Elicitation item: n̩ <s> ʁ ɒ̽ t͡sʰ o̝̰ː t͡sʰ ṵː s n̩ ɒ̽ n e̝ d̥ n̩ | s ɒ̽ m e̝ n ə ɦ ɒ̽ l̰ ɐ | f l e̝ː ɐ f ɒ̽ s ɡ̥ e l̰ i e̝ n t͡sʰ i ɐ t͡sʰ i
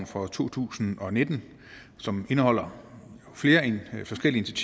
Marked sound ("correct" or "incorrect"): incorrect